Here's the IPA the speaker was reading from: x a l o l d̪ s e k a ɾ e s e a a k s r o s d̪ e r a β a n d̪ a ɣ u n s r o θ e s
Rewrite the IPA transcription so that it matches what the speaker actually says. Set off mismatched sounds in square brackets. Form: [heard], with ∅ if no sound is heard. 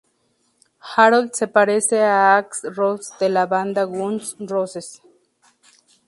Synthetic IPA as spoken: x a [ɾ] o l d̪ s e [p] a ɾ e s e a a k s r o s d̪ e [l] a β a n d̪ a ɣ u n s r o [s] e s